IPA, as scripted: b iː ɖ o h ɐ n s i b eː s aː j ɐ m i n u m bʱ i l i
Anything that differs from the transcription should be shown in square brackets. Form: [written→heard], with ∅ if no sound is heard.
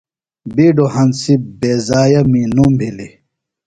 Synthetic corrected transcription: b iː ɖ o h ɐ n s i b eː [s→z] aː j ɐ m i n u m bʱ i l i